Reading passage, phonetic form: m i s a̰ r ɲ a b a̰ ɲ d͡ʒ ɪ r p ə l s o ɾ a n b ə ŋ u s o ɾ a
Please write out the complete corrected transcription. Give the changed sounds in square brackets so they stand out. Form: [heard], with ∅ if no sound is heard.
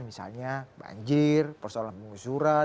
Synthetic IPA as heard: m i s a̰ [l] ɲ a b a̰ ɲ d͡ʒ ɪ r p ə [r] s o [l] a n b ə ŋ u s [u] ɾ a